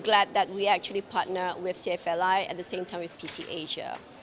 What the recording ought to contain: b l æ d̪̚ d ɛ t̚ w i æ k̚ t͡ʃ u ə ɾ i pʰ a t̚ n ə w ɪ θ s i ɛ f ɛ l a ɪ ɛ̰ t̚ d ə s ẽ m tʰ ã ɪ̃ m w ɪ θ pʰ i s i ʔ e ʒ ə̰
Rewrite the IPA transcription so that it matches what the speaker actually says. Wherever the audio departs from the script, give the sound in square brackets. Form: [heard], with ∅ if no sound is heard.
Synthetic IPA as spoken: [ɡ] l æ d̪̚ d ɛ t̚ w i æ k̚ t͡ʃ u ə [l] i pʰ a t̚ n ə w ɪ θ s i ɛ f ɛ l a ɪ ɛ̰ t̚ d ə s ẽ m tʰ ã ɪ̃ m w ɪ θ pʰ i s i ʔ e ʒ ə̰